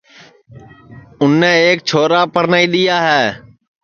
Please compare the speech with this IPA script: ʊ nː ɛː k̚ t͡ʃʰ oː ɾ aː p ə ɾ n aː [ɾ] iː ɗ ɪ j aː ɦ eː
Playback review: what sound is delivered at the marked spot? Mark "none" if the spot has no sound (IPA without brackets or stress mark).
none